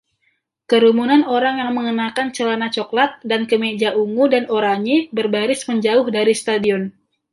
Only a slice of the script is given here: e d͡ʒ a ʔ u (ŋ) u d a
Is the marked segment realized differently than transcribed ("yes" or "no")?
no